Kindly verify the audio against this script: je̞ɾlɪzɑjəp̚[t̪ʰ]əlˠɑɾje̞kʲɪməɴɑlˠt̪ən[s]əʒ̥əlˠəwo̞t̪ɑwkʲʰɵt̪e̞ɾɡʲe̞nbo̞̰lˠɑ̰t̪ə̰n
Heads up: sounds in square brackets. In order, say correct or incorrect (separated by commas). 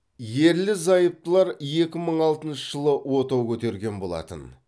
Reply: incorrect, incorrect